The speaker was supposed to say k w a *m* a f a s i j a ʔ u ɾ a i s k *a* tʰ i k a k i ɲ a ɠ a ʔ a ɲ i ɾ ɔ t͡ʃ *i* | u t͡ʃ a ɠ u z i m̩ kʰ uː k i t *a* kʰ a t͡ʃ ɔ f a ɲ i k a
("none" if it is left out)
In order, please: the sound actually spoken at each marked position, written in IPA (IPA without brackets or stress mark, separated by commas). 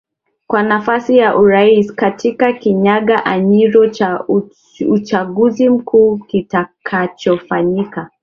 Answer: n, a, a, a